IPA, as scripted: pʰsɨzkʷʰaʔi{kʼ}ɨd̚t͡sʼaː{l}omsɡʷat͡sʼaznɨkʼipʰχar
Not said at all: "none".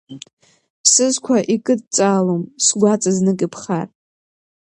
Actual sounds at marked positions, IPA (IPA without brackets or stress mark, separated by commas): kʼ, l